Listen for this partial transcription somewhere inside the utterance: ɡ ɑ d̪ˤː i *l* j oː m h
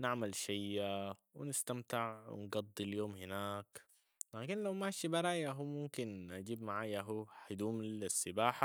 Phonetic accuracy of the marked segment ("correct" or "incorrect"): correct